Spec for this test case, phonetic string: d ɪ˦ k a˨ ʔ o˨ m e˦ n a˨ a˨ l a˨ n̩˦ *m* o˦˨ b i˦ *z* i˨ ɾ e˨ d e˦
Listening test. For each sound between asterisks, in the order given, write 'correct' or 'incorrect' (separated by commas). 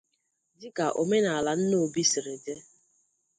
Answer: incorrect, incorrect